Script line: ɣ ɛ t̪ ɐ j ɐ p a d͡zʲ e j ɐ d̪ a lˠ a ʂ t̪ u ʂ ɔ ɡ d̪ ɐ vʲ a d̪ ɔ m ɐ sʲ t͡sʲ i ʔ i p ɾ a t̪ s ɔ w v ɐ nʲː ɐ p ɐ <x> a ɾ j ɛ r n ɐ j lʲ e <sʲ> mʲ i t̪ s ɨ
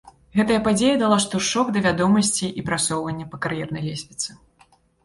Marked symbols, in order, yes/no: no, yes

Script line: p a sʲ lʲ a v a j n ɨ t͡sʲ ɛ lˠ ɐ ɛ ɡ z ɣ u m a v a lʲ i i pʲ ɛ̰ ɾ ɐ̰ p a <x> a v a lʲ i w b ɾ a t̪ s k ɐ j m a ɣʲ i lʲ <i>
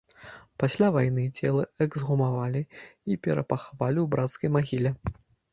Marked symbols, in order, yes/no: yes, no

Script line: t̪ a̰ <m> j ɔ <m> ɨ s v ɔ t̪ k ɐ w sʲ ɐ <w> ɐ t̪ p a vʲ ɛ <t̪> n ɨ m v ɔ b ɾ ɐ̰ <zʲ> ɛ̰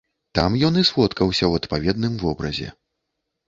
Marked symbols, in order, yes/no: yes, no, yes, no, yes

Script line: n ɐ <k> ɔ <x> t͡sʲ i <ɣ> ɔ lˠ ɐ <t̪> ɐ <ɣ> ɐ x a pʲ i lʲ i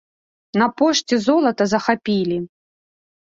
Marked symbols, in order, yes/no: no, no, no, yes, no

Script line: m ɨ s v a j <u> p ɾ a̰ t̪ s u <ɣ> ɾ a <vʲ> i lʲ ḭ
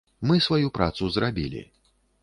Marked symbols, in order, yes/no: yes, no, no

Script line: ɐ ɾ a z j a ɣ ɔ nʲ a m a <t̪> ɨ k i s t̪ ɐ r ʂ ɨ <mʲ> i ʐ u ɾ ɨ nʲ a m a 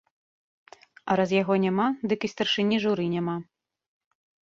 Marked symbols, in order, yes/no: no, no

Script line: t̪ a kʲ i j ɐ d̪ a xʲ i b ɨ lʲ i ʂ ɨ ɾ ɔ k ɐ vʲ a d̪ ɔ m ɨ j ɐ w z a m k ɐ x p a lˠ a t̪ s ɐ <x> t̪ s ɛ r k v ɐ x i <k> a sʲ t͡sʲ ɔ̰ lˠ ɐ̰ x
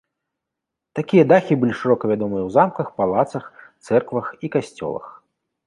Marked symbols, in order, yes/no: yes, yes

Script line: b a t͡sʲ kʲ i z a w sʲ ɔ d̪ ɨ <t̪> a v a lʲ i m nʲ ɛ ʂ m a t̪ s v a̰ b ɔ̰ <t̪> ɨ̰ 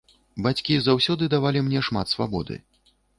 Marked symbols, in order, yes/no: no, no

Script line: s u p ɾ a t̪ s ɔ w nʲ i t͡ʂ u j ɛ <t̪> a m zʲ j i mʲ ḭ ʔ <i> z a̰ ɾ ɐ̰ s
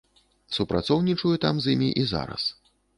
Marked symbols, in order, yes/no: yes, yes

